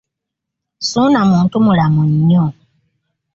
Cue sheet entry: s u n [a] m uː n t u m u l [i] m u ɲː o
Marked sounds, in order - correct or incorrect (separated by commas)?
correct, incorrect